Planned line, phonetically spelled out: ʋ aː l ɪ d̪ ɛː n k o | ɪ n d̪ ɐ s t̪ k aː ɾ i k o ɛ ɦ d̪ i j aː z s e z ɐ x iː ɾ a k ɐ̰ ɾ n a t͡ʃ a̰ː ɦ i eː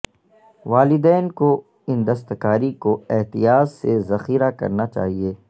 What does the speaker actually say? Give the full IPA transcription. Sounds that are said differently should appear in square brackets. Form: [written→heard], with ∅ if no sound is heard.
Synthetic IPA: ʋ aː l ɪ d̪ ɛː n k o | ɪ n d̪ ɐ s t̪ k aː ɾ i k o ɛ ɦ [d̪→t̪] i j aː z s e z ɐ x iː ɾ a k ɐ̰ ɾ n a t͡ʃ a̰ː ɦ i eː

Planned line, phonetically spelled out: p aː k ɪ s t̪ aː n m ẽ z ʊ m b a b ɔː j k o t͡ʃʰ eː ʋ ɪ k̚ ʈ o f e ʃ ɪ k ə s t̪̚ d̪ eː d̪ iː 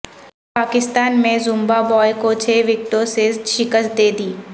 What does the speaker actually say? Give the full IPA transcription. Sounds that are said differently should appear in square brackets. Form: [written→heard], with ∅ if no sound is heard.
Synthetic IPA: p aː k ɪ s t̪ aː n m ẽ z ʊ m b a b ɔː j k o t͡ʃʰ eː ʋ ɪ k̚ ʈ o [f→s] e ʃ ɪ k ə s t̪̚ d̪ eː d̪ iː

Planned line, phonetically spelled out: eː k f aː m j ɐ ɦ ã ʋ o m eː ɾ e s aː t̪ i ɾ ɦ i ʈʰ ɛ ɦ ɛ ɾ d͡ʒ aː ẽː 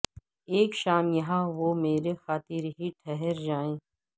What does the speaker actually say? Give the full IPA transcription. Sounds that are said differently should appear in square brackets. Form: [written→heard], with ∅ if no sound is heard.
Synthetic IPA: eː k [f→ʃ] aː m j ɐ ɦ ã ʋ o m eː ɾ e [s→x] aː t̪ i ɾ ɦ i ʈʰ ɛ ɦ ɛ ɾ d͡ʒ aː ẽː

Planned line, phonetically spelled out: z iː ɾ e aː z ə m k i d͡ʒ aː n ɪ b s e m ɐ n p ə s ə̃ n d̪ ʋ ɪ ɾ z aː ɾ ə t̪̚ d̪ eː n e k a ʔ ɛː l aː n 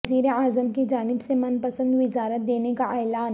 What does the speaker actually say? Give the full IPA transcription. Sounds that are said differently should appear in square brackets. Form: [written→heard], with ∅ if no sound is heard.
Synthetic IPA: z iː ɾ e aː z ə m k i d͡ʒ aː n ɪ b s e m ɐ n p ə s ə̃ n d̪ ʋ ɪ [ɾ→∅] z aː ɾ ə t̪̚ d̪ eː n e k a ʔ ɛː l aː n

